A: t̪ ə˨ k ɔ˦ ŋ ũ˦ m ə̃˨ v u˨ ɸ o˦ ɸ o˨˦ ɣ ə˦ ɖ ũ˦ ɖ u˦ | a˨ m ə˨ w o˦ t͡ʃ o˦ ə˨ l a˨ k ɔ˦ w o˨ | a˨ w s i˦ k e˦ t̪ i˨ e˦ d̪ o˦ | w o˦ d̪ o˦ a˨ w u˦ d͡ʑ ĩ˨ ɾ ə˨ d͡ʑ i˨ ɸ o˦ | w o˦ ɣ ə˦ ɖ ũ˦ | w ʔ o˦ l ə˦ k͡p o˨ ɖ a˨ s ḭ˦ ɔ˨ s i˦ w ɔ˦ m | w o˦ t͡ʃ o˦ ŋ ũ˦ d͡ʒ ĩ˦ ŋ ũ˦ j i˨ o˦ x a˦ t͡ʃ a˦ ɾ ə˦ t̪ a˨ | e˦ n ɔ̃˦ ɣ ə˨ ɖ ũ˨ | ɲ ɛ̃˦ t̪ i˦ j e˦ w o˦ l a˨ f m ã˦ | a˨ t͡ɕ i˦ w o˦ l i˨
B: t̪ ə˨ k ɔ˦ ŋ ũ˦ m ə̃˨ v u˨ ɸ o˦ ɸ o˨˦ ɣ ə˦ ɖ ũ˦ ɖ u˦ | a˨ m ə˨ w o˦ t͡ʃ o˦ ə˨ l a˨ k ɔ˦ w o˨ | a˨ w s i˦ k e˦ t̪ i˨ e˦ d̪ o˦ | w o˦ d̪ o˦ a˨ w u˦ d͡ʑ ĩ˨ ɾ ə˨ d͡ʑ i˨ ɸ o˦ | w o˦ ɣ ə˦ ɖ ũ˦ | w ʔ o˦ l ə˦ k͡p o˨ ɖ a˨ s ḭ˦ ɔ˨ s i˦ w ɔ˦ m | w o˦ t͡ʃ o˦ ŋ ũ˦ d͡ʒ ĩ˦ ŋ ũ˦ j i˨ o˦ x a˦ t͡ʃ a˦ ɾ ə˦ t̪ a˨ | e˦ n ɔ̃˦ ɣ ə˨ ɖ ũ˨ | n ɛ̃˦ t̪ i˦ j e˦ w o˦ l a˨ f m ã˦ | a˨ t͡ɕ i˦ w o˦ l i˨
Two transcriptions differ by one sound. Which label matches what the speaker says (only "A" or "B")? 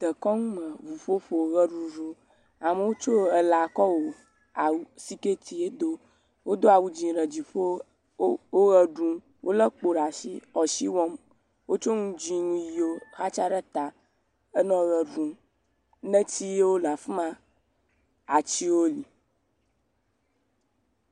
B